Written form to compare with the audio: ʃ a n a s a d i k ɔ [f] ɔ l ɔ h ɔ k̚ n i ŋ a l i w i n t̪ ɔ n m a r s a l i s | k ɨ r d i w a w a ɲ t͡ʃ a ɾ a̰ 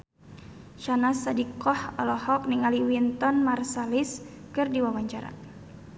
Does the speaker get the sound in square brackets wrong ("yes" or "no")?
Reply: yes